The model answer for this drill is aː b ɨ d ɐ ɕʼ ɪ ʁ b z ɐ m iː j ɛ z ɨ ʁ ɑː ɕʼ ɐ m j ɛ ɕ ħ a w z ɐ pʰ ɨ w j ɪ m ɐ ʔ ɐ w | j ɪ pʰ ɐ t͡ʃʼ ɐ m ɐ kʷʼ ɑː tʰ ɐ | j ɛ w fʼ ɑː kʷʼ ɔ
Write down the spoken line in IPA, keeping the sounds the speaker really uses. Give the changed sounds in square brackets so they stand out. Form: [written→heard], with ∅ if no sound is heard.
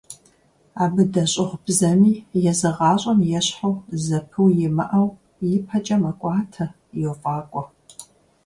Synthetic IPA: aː b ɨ d ɐ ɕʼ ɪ ʁ b z ɐ m iː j ɛ z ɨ ʁ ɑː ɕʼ ɐ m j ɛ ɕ ħ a w z ɐ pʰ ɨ w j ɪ m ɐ ʔ ɐ w | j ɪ pʰ ɐ t͡ʃʼ ɐ m ɐ kʷʼ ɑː tʰ ɐ | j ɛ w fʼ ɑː kʷʼ ɔ